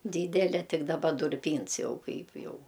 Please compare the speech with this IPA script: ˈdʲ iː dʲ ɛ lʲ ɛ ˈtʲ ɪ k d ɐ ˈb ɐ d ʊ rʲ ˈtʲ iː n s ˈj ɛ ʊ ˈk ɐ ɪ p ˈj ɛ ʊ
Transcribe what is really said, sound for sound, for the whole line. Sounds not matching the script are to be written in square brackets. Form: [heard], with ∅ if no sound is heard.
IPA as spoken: ˈdʲ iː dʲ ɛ lʲ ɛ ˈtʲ ɪ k d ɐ ˈb ɐ d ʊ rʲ [ˈpʲ] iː n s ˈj ɛ ʊ ˈk ɐ ɪ p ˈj ɛ ʊ